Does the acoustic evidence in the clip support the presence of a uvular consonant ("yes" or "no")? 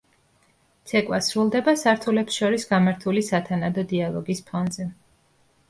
no